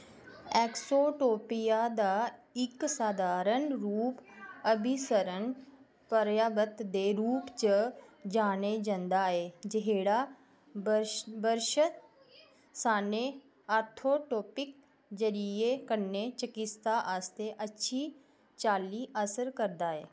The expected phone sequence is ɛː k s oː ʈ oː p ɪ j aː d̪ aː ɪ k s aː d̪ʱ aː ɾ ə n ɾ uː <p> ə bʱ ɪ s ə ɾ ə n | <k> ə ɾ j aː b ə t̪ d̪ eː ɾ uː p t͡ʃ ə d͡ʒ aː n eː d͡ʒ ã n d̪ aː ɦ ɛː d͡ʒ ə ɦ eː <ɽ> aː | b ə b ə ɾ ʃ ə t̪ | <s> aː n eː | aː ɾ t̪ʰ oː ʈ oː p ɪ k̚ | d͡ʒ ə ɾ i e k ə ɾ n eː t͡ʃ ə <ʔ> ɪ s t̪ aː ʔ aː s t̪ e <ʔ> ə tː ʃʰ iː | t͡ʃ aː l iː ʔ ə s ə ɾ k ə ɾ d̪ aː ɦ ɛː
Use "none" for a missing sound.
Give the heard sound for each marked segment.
p, p, ɽ, s, k, ʔ

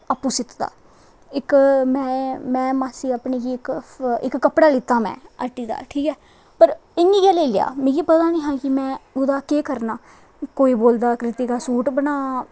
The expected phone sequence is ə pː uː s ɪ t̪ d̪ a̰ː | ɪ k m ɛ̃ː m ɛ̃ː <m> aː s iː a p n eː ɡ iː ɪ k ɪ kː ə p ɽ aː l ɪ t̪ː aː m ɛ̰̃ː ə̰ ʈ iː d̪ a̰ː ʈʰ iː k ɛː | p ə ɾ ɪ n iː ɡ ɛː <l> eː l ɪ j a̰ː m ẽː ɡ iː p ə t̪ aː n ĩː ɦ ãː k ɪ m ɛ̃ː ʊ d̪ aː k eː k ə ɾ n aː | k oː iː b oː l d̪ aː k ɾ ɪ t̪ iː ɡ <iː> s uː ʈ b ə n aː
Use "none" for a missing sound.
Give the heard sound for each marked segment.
m, l, aː

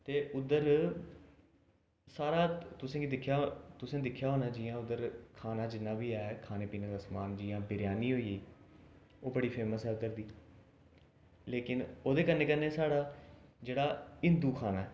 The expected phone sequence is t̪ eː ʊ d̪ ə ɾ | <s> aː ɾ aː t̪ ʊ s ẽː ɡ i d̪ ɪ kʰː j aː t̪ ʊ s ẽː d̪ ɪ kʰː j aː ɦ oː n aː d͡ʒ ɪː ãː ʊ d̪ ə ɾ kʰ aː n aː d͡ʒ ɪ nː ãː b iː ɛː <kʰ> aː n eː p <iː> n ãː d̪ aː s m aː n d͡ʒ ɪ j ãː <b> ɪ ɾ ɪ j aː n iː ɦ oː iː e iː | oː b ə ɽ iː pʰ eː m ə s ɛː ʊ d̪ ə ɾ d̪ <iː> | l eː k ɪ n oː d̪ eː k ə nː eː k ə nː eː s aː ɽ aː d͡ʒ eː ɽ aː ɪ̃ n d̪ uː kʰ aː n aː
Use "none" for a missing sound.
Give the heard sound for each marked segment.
s, kʰ, iː, b, iː

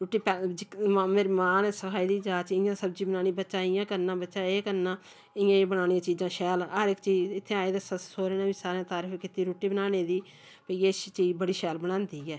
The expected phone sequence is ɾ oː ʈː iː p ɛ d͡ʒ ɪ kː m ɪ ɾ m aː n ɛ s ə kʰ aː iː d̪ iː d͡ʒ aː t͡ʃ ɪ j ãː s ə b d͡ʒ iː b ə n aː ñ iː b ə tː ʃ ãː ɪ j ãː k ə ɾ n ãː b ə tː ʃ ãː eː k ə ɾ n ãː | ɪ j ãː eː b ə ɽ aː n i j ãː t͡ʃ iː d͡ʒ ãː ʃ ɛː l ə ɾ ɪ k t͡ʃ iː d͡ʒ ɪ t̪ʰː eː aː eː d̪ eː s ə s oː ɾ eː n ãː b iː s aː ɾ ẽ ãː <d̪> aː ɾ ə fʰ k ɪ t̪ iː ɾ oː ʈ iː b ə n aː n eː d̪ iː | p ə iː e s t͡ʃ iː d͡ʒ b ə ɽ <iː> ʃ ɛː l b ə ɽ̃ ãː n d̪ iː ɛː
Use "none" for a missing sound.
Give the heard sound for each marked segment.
t̪, iː

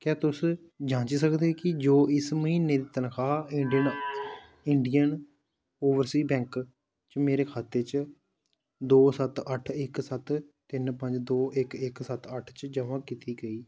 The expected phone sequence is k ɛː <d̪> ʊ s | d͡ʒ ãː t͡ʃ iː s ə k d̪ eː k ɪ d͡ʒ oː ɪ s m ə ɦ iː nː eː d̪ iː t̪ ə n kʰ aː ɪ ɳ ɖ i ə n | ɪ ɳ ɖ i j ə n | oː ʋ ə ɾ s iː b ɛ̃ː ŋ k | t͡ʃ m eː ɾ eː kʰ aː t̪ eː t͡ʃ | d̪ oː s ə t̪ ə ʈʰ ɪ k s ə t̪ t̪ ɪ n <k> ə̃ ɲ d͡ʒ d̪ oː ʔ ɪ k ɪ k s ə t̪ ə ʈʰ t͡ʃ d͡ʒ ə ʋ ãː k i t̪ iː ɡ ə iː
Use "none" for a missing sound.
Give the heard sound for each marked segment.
t̪, p

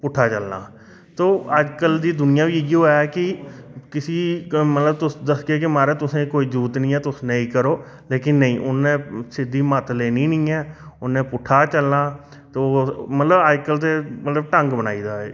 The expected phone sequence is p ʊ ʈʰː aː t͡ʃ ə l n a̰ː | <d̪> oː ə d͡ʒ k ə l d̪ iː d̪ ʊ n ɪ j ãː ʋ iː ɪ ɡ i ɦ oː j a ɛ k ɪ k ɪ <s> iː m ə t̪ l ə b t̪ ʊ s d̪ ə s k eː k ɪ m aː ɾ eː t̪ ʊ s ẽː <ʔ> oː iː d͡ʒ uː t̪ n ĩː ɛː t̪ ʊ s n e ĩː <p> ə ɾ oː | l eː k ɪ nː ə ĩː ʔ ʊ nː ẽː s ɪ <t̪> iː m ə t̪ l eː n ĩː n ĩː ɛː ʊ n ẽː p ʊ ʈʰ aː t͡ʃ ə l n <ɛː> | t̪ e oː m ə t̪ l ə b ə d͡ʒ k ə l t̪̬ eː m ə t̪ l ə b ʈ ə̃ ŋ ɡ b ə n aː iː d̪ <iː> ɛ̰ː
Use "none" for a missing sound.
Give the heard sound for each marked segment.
t̪, s, k, k, d̪, aː, aː

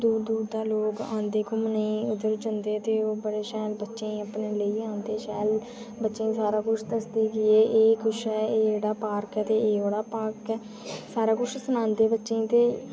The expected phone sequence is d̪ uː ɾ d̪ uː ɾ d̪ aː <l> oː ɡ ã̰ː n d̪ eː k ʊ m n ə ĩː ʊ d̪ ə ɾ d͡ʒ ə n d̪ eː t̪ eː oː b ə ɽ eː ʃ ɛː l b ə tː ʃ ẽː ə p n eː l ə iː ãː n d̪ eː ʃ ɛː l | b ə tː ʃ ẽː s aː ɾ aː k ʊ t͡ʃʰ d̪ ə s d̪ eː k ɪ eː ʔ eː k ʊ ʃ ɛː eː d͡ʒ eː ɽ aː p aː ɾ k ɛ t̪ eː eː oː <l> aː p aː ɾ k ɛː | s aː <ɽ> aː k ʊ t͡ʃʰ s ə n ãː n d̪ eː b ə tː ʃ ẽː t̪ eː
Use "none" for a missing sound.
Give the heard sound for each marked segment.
l, ɽ, ɾ

